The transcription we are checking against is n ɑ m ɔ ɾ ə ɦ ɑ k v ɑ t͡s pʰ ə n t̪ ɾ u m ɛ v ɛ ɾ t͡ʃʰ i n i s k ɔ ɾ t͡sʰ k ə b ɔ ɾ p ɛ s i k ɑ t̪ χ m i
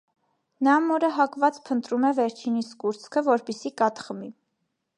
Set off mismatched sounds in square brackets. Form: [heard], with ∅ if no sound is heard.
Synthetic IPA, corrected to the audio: n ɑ m ɔ ɾ ə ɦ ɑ k v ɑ t͡s pʰ ə n t̪ ɾ u m ɛ v ɛ ɾ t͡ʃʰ i n i s k [u] ɾ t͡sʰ [kʰ] ə [v] ɔ ɾ p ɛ s i k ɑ t̪ χ m i